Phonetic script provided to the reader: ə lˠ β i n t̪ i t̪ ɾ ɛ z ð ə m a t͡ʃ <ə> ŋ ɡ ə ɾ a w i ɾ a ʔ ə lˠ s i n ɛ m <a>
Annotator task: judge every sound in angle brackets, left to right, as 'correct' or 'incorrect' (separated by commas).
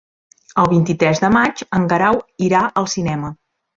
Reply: correct, incorrect